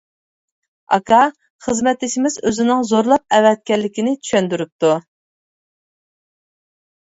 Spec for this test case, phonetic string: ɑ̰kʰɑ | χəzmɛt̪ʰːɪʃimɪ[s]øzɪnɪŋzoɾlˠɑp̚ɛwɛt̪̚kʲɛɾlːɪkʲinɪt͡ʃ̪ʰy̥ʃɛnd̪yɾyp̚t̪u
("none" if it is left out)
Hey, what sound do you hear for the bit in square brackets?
z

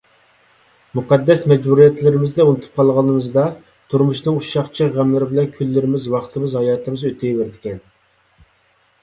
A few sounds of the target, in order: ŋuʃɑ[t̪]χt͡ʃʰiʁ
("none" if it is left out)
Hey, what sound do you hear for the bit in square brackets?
none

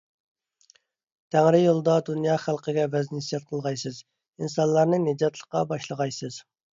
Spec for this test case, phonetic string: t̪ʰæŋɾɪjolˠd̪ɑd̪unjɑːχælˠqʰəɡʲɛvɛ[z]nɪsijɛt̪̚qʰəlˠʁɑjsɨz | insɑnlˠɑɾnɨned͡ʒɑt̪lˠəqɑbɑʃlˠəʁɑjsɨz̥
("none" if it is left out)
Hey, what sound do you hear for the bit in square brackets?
z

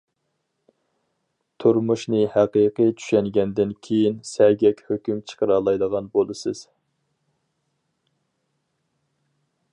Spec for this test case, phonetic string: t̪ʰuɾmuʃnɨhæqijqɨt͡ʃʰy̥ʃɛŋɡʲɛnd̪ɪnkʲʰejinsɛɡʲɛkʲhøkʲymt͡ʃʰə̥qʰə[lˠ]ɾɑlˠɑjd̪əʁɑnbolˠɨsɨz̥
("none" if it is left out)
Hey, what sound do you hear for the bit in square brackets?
none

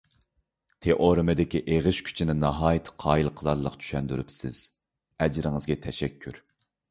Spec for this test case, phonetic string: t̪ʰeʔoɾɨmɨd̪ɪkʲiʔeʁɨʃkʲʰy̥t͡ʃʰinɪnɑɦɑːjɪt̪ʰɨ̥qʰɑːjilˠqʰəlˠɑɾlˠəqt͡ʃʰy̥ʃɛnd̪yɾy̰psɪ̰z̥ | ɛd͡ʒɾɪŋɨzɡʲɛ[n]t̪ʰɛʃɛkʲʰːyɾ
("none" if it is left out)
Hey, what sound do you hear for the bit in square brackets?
none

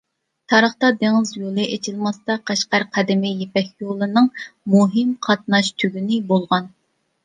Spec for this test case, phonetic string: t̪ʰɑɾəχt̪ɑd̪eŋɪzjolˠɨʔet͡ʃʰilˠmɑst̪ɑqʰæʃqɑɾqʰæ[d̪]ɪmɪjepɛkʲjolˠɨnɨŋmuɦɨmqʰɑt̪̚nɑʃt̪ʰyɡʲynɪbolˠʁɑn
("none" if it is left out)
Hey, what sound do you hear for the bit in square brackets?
d̪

